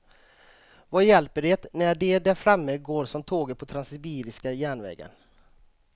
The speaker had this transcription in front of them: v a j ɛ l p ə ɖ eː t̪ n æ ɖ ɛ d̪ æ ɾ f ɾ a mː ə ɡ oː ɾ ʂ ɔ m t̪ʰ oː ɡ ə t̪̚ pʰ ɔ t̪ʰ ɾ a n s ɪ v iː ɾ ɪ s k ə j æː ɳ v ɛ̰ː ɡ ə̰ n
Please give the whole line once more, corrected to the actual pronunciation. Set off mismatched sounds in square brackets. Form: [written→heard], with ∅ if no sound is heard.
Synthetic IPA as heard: v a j ɛ l p ə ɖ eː t̪ n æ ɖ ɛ d̪ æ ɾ f ɾ a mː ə ɡ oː ɾ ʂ ɔ m t̪ʰ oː ɡ ə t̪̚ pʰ ɔ t̪ʰ ɾ a n s ɪ [v→b] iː ɾ ɪ s k [ə→a] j æː ɳ v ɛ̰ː ɡ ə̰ n

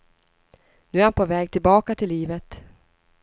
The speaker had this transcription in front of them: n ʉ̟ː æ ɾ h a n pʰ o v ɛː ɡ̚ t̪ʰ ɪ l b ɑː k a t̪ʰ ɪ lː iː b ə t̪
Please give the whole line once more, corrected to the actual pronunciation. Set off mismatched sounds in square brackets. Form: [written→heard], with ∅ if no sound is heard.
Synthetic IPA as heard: n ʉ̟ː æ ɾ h a n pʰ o v ɛː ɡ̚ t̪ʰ ɪ l b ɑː k a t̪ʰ ɪ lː iː [b→v] ə t̪

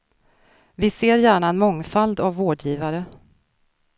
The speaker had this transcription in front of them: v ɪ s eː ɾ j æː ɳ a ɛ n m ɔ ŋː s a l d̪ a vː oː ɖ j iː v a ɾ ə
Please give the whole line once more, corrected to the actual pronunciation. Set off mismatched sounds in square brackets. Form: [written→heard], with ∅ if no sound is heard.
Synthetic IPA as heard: v ɪ s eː ɾ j æː ɳ a ɛ n m ɔ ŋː [s→f] a l d̪ a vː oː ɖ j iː v a ɾ ə

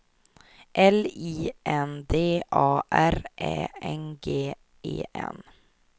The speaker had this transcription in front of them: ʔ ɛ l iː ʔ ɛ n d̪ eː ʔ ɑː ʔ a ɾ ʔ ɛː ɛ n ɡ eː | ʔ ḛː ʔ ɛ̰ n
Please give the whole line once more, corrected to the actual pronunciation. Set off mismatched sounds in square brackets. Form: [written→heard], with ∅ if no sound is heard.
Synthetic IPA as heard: ʔ ɛ l iː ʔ ɛ n d̪ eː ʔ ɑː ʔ [a→æ] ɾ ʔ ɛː ɛ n ɡ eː | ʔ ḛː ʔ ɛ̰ n

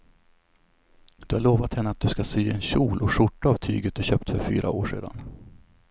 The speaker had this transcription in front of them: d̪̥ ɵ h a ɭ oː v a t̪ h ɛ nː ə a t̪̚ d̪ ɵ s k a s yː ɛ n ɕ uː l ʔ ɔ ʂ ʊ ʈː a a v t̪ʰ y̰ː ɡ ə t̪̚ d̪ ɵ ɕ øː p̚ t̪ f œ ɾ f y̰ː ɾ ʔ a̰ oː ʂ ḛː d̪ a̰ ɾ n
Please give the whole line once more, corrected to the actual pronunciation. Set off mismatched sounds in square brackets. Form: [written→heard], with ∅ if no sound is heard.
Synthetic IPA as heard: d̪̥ ɵ h a ɭ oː v a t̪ h ɛ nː ə a t̪̚ d̪ ɵ s k a s yː ɛ n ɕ uː l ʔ ɔ ʂ ʊ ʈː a a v t̪ʰ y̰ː ɡ ə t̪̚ d̪ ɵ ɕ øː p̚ t̪ f œ ɾ f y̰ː ɾ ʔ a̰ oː ʂ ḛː d̪ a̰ [ɾ→∅] n

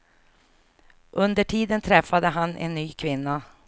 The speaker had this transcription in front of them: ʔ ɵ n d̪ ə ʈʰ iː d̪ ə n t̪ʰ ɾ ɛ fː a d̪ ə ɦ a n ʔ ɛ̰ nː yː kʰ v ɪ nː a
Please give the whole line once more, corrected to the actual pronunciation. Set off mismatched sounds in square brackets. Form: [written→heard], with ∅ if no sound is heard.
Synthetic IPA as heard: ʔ ɵ n d̪ ə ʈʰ iː d̪ ə n t̪ʰ ɾ ɛ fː a d̪ ə ɦ a n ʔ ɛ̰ nː yː kʰ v ɪ nː a

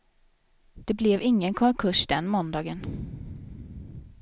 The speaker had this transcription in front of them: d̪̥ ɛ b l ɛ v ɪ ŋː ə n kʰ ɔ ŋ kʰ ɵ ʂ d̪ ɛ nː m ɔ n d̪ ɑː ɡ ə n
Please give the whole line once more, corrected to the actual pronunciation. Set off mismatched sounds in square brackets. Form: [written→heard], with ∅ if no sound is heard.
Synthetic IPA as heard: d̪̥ ɛ b l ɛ v ɪ ŋː ə n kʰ ɔ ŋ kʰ ɵ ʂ d̪ ɛ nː m ɔ n d̪ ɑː ɡ ə n

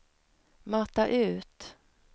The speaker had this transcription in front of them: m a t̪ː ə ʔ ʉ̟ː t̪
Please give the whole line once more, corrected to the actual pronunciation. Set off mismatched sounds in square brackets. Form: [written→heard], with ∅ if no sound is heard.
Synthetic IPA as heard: m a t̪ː [ə→a] ʔ ʉ̟ː t̪

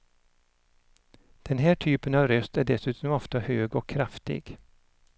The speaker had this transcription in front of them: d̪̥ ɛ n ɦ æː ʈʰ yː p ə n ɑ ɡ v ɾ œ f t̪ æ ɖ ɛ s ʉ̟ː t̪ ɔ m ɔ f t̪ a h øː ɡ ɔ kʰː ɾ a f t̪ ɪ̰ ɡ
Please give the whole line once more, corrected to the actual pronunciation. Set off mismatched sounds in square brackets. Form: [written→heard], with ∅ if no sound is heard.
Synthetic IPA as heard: d̪̥ ɛ n ɦ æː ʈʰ yː p ə n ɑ [ɡ→∅] v ɾ œ [f→s] t̪ æ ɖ ɛ s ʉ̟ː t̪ ɔ m ɔ f t̪ a h øː ɡ ɔ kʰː ɾ a f t̪ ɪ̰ ɡ

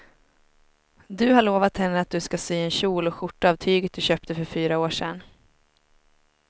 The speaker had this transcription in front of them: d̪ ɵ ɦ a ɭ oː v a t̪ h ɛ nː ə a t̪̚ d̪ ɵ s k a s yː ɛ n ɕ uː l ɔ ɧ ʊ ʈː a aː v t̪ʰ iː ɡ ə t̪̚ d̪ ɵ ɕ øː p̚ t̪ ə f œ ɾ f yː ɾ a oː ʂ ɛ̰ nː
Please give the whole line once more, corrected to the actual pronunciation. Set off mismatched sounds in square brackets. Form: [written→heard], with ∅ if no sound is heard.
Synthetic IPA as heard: d̪ ɵ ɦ a ɭ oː v a t̪ h ɛ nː ə a t̪̚ d̪ ɵ s k a s yː ɛ n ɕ uː l ɔ ɧ ʊ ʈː a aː v t̪ʰ [iː→yː] ɡ ə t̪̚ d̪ ɵ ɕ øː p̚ t̪ ə f œ ɾ f yː ɾ a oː ʂ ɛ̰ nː

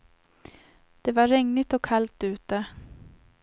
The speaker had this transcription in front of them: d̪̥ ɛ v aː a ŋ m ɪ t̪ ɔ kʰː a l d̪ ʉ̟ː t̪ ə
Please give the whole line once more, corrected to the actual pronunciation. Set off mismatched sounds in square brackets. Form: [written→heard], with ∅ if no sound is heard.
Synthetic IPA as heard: d̪̥ ɛ v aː [a→ɛ] ŋ [m→n] ɪ t̪ ɔ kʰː a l [d̪→t̪] ʉ̟ː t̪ ə

